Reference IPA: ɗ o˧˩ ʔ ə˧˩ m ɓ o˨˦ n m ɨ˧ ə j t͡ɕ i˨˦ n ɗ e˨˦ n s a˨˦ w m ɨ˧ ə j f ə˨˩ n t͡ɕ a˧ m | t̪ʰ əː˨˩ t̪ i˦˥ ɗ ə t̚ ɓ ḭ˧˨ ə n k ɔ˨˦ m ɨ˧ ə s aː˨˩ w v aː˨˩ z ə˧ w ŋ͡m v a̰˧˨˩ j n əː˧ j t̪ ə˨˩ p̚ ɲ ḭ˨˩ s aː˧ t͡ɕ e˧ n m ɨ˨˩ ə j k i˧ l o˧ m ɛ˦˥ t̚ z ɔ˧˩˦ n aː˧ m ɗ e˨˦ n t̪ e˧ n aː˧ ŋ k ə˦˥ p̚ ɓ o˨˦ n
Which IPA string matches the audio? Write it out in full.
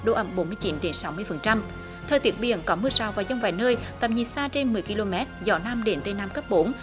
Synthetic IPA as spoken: ɗ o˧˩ ʔ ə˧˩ m ɓ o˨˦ n m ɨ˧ ə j t͡ɕ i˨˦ n ɗ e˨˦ n s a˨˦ w m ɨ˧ ə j f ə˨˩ n t͡ɕ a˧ m | t̪ʰ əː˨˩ t̪ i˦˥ ə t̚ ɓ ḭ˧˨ ə n k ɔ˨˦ m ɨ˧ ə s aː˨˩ w v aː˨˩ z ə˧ w ŋ͡m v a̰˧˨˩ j n əː˧ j t̪ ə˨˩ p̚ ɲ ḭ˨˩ s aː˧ t͡ɕ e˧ n m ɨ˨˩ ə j k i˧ l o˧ m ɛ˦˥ t̚ z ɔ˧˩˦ n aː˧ m ɗ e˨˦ n t̪ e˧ n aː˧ m k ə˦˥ p̚ ɓ o˨˦ n